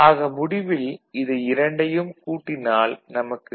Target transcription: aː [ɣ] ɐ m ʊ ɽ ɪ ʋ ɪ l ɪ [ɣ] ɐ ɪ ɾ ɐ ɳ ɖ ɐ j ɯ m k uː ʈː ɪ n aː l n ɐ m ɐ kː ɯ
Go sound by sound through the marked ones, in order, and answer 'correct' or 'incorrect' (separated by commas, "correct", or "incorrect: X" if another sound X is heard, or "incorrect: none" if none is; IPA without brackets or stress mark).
correct, incorrect: ð